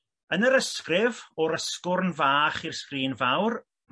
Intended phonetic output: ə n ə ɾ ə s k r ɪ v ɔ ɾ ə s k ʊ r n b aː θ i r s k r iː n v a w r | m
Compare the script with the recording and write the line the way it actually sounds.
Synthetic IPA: ə n ə ɾ ə s k r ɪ v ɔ ɾ ə s k ʊ r n v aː χ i r s k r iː n v a w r | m